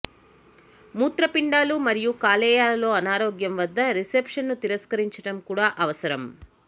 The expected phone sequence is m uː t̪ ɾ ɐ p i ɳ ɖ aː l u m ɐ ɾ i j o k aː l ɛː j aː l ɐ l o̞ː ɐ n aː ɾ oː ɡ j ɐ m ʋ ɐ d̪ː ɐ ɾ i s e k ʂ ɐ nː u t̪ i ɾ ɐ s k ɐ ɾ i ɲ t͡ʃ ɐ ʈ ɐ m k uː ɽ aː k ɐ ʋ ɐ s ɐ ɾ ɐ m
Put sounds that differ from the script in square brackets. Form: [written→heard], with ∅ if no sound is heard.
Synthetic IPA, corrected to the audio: m uː t̪ ɾ ɐ p i ɳ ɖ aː l u m ɐ ɾ i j [o→u] k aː l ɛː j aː l ɐ l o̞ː ɐ n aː ɾ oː ɡ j ɐ m ʋ ɐ d̪ː ɐ ɾ i s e [k→p] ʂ ɐ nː u t̪ i ɾ ɐ s k ɐ ɾ i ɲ t͡ʃ ɐ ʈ ɐ m k uː ɽ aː [k→ʔ] ɐ ʋ ɐ s ɐ ɾ ɐ m